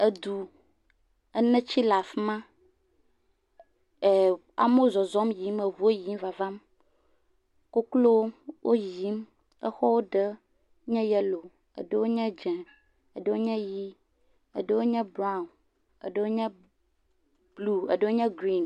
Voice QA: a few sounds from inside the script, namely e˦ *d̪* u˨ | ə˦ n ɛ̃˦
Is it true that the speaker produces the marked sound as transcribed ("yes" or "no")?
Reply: yes